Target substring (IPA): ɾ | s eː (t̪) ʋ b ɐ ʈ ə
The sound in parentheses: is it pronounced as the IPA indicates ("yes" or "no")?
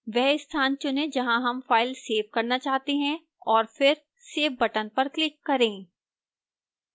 no